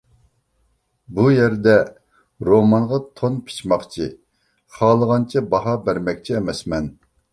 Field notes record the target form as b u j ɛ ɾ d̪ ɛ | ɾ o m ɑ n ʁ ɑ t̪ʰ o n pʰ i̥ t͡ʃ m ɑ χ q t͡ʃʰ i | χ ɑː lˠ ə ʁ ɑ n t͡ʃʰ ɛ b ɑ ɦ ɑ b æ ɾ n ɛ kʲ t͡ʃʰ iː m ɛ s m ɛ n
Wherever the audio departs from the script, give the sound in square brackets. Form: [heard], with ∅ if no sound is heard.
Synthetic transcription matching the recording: b u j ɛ ɾ d̪ ɛ | ɾ o m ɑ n ʁ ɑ t̪ʰ o n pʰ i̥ t͡ʃ m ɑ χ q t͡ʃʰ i | χ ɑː lˠ ə ʁ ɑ n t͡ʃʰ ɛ b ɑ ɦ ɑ b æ ɾ [m] ɛ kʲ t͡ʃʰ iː m ɛ s m ɛ n